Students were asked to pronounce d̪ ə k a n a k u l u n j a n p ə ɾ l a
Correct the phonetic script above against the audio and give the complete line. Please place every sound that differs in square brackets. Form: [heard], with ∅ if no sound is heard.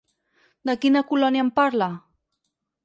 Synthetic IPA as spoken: d̪ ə k [i] n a k u l [ɔ] n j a [m] p [a] ɾ l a